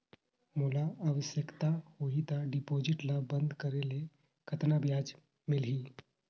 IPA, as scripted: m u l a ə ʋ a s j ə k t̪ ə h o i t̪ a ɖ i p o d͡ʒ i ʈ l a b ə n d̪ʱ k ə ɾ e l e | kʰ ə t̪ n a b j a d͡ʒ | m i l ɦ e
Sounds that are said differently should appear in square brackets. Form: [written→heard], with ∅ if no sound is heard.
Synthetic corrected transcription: m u l a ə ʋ [a→ə] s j ə k t̪ [ə→a] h o i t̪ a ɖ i p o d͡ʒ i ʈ l a b ə n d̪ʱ k ə ɾ e l e | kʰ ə t̪ n a b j a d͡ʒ | m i l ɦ [e→i]